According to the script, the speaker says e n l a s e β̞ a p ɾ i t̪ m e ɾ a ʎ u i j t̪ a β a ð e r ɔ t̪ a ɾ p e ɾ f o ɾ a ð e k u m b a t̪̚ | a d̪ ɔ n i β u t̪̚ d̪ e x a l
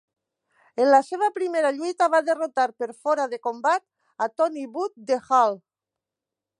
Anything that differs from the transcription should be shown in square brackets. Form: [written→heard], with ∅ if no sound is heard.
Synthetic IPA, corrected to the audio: e n l a s e β̞ a p ɾ i [t̪→∅] m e ɾ a ʎ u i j t̪ a β a ð e r [ɔ→o] t̪ a ɾ p e ɾ f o ɾ a ð e k [u→o] m b a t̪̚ | a [d̪→t̪] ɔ n i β u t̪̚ d̪ e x a l